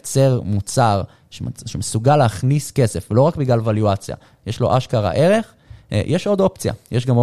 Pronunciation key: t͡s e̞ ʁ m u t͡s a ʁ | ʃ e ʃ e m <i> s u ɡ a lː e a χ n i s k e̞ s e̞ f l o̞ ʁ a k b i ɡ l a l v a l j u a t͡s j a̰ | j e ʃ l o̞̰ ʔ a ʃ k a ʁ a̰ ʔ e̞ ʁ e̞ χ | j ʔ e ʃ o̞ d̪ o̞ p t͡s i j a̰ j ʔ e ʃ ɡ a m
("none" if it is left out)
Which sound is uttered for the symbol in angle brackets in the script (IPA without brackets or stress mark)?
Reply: e